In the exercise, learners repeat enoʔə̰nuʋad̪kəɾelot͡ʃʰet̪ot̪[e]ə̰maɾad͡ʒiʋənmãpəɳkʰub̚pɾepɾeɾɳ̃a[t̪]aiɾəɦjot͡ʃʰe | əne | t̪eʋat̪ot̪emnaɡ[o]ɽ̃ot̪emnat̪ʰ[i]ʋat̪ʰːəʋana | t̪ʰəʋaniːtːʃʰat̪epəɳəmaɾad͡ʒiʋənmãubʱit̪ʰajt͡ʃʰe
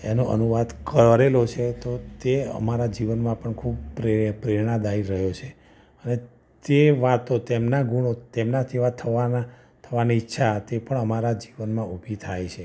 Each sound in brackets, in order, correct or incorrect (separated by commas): correct, incorrect, incorrect, correct